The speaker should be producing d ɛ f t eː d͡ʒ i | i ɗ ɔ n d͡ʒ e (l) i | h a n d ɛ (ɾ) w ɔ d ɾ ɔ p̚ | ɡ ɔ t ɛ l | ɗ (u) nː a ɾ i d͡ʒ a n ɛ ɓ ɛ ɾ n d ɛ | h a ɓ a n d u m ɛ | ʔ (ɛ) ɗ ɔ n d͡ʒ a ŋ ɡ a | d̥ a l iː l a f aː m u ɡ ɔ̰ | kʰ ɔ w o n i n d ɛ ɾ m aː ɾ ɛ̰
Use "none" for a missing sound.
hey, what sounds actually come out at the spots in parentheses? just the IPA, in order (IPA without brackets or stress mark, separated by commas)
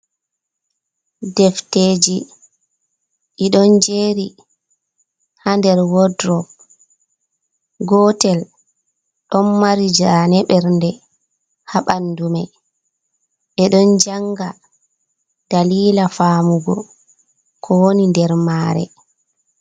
ɾ, ɾ, ɔ, ɛ